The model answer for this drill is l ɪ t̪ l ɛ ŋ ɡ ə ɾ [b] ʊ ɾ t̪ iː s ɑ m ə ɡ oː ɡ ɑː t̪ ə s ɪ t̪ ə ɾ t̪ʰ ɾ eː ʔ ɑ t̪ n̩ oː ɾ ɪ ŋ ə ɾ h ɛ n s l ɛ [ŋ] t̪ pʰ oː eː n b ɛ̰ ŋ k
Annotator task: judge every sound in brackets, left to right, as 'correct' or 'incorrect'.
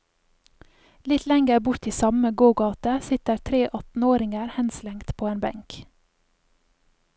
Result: correct, correct

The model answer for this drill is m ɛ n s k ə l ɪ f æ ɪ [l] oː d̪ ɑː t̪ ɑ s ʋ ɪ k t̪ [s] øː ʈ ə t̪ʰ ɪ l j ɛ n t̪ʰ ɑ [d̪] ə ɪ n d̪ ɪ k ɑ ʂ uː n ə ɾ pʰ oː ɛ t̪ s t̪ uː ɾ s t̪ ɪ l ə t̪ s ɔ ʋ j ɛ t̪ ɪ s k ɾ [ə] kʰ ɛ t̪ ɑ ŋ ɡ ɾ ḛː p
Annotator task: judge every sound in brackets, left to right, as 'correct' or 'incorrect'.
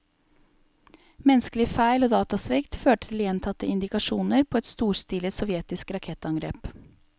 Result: correct, incorrect: f, incorrect: t̪, incorrect: ɑ

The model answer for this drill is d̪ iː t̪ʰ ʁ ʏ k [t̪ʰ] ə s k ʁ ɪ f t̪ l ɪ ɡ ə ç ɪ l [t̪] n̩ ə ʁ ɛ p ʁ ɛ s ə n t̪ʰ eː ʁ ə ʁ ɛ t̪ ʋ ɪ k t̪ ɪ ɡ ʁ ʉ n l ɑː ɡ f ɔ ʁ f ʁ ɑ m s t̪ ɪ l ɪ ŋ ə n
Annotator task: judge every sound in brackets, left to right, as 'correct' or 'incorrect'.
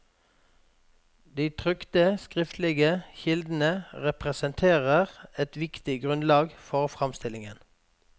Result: incorrect: t̪, incorrect: d̪

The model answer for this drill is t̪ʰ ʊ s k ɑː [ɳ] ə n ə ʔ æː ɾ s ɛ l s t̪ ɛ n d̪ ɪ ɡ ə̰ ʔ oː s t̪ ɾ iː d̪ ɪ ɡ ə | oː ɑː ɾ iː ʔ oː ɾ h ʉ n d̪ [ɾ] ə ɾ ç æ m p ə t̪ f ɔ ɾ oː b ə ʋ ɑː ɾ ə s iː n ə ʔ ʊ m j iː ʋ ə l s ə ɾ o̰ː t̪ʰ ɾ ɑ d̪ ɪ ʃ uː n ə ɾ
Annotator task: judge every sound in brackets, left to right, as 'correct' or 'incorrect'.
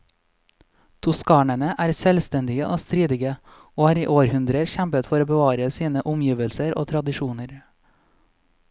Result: correct, correct

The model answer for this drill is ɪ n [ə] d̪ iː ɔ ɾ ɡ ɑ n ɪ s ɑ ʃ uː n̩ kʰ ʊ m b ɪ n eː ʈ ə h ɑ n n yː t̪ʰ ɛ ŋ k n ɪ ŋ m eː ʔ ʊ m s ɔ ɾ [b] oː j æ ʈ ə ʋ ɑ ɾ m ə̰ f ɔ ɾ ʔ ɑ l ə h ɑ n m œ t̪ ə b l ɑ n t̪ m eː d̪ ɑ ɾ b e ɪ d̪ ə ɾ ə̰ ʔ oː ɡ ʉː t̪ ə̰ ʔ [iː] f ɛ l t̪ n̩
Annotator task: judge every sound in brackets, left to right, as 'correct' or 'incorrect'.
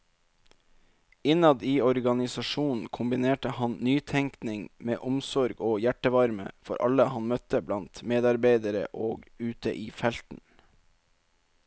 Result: incorrect: ɑ, incorrect: ɡ, correct

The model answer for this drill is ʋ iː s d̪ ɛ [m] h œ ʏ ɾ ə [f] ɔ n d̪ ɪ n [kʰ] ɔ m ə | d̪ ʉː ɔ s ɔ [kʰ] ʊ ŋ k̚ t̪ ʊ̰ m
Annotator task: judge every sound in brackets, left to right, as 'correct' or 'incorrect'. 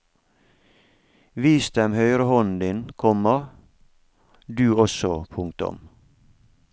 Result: correct, incorrect: h, correct, incorrect: pʰ

